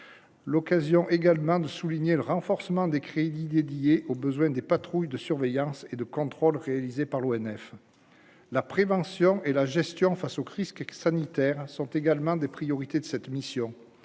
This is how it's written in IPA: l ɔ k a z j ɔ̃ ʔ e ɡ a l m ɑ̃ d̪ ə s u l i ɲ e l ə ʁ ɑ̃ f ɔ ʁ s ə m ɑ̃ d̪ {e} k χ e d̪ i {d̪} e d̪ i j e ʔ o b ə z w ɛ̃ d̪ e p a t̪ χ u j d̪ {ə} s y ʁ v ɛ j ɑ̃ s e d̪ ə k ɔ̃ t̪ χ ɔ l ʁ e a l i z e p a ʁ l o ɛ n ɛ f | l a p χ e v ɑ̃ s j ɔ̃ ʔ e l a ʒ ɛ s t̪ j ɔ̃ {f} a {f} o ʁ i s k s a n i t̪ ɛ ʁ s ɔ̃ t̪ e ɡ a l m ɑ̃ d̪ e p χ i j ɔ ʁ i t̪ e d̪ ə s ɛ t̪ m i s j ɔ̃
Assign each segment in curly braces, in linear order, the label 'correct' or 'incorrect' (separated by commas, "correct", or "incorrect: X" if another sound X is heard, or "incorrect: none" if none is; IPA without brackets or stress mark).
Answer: correct, correct, correct, correct, incorrect: s